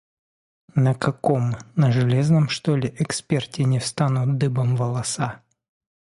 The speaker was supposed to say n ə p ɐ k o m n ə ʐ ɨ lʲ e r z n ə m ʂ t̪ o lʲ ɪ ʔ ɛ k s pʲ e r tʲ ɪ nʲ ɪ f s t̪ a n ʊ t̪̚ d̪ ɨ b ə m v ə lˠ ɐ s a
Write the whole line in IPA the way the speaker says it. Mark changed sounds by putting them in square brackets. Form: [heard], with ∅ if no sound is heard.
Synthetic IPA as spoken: n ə [k] ɐ k o m n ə ʐ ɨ lʲ e [∅] z n ə m ʂ t̪ o lʲ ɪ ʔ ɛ k s pʲ e r tʲ ɪ nʲ ɪ f s t̪ a n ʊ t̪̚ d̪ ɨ b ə m v ə lˠ ɐ s a